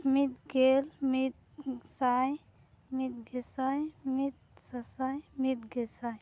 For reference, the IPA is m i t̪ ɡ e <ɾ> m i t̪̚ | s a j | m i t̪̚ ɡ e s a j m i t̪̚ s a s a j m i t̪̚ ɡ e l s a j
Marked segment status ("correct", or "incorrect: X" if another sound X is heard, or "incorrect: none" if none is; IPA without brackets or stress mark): incorrect: l